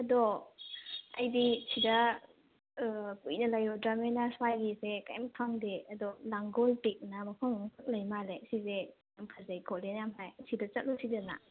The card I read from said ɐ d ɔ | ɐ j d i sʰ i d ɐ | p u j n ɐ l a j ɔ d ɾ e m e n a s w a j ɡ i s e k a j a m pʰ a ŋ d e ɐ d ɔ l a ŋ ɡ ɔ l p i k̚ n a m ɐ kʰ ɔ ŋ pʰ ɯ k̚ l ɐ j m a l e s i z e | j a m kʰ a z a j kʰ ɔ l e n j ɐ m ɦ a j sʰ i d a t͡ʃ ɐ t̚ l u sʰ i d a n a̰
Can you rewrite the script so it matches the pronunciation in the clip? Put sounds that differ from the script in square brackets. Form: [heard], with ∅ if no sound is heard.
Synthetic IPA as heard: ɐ d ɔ | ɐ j d i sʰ i d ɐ | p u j n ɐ l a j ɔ d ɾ [a] m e n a s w a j ɡ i s e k a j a m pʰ a ŋ d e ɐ d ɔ l a ŋ ɡ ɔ l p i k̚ n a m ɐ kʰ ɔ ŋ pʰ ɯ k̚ l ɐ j m a l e s i z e | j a m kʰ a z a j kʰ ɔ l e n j [a] m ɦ a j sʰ i d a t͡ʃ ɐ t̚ l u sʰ i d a n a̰